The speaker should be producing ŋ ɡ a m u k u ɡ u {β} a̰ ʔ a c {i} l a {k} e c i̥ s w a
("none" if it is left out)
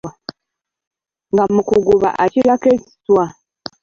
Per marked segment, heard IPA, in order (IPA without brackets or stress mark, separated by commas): β, i, k